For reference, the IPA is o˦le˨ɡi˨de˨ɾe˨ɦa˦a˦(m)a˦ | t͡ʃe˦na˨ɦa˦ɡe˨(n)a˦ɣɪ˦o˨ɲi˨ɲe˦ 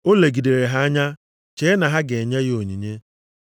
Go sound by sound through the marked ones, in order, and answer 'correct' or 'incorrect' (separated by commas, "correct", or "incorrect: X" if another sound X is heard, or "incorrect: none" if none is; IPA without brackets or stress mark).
incorrect: ɲ, incorrect: ɲ